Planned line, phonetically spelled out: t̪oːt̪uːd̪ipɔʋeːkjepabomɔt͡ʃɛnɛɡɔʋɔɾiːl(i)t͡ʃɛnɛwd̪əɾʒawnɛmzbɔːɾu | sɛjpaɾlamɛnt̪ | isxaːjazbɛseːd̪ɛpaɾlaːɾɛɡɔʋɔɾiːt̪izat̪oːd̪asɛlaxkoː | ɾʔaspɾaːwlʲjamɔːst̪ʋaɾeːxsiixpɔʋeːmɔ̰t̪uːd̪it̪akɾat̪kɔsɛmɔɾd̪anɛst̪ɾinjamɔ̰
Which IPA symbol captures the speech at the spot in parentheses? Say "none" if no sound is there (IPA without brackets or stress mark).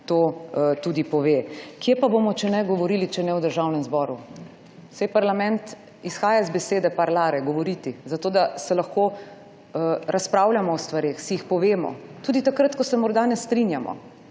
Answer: i